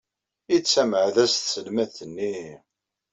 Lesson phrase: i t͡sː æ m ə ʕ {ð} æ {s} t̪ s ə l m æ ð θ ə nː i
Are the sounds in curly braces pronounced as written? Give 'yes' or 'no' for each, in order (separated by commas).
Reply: yes, yes